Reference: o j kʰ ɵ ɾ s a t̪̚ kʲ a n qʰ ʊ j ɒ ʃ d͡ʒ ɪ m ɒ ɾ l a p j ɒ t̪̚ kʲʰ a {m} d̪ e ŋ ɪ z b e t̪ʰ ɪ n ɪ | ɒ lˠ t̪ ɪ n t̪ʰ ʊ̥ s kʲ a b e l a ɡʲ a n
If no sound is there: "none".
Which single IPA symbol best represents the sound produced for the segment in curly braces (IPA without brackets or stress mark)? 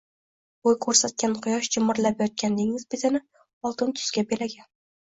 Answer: n